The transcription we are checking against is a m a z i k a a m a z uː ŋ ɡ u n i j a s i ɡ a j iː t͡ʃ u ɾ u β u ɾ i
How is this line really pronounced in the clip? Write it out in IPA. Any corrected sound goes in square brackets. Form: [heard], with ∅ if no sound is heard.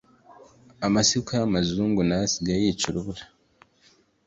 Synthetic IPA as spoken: a m a [s] i k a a m a z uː ŋ ɡ u n [a] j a s i ɡ a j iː t͡ʃ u ɾ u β u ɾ [a]

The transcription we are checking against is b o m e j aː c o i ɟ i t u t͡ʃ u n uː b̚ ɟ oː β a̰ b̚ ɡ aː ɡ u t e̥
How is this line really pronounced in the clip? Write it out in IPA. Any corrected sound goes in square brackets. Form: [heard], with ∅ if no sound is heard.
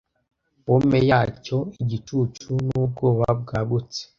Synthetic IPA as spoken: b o m e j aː c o i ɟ i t u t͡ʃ u n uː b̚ [ɡ] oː β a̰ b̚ ɡ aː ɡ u [t͡s] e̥

